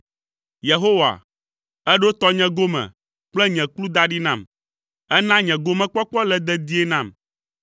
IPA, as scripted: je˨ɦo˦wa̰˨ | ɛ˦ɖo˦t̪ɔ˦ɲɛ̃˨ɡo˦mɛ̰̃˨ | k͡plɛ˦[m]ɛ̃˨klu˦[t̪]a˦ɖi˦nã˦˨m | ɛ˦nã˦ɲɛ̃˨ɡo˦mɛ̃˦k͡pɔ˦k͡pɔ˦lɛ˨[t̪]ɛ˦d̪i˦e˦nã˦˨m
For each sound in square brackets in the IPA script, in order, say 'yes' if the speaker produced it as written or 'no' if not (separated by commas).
no, no, no